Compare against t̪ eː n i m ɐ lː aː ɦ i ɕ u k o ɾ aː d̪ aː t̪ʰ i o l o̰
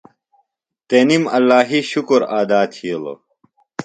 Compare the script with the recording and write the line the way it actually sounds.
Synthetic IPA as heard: t̪ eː n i m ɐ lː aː ɦ i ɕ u k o ɾ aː d̪ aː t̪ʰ i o l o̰